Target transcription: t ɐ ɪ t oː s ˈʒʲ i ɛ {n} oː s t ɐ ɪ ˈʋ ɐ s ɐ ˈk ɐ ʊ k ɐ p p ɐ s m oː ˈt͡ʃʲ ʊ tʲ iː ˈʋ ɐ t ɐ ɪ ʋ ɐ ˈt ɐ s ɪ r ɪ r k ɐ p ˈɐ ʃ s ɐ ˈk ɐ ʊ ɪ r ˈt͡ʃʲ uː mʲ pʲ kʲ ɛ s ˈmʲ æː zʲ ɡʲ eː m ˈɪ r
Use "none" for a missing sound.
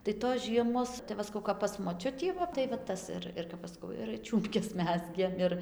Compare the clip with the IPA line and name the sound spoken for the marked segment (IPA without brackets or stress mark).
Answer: m